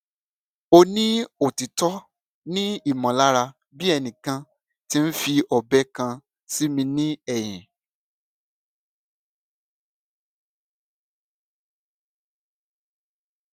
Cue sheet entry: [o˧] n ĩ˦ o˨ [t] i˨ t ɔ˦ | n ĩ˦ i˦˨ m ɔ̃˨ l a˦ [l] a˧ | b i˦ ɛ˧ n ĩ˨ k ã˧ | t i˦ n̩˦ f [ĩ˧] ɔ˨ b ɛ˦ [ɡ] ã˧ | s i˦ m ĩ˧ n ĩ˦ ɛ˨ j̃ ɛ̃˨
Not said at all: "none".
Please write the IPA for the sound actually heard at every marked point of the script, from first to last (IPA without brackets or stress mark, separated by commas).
o˧, t, ɾ, i˧, k